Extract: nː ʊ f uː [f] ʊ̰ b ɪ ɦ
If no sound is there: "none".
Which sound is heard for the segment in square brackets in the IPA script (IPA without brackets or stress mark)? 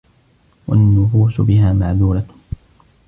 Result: s